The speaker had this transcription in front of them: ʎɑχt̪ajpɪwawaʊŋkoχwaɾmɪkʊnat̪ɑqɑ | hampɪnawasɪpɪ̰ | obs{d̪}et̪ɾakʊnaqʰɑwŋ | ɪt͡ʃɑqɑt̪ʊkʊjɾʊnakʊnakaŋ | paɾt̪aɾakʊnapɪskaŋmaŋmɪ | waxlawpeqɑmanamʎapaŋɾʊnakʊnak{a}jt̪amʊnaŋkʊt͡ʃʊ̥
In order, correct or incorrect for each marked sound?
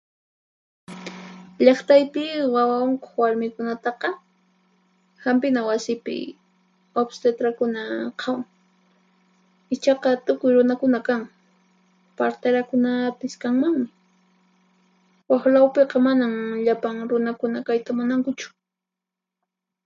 incorrect: t̪, correct

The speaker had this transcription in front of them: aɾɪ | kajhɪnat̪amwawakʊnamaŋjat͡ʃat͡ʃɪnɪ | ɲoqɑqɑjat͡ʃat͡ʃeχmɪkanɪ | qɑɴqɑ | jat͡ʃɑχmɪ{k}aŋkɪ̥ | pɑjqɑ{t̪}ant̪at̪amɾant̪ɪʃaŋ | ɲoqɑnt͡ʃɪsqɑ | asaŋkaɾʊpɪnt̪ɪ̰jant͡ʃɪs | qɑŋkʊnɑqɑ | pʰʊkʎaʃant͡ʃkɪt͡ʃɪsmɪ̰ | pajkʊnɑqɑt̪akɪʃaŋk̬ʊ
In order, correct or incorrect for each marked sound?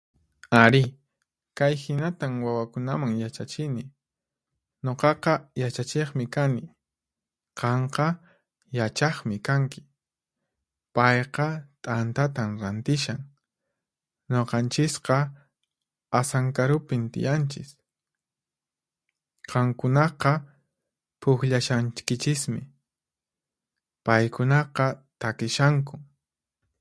correct, incorrect: t̪ʼ

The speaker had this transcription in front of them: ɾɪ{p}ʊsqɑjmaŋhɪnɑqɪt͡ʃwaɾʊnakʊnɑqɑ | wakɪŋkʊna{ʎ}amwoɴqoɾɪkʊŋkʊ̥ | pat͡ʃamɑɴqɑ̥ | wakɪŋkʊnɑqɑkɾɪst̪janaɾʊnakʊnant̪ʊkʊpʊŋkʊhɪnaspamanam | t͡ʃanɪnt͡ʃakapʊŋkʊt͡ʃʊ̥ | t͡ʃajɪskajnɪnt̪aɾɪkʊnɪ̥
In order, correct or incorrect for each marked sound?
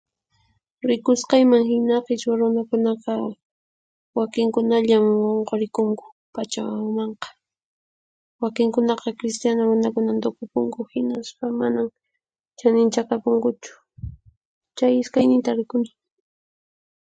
incorrect: k, correct

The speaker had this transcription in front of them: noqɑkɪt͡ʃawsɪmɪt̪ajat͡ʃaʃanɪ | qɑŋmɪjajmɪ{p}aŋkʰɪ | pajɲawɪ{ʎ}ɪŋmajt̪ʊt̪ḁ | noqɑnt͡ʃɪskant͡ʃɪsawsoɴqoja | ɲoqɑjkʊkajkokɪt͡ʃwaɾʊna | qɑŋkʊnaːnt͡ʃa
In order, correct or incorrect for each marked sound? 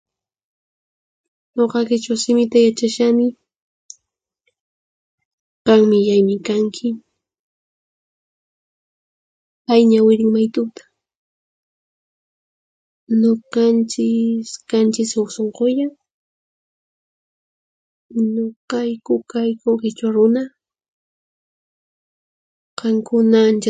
incorrect: k, incorrect: ɾ

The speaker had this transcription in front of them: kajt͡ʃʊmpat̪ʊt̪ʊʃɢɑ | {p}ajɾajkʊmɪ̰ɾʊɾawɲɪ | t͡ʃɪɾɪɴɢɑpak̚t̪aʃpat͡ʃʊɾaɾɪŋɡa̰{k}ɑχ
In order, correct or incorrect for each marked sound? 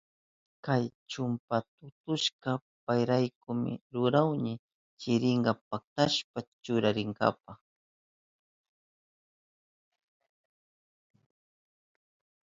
correct, incorrect: p

